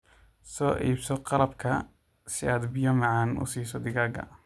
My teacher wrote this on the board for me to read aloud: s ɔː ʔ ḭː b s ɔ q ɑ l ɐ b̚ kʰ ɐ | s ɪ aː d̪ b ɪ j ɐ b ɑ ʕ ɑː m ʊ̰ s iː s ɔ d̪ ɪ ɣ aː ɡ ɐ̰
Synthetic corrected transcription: s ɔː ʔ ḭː b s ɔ q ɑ l ɐ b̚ kʰ ɐ | s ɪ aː d̪ b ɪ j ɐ m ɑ ʕ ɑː n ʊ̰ s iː s ɔ d̪ ɪ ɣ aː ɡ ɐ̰